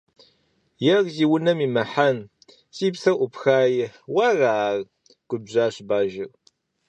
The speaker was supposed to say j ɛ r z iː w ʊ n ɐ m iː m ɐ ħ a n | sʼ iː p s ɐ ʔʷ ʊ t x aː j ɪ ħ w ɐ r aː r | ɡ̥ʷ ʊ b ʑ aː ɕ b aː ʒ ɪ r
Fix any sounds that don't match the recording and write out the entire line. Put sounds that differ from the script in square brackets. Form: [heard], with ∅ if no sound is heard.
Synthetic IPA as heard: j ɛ r z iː w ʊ n ɐ m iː m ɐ ħ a n | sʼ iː p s ɐ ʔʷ ʊ [p] x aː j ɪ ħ w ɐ r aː r | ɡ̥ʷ ʊ b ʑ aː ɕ b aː ʒ ɪ r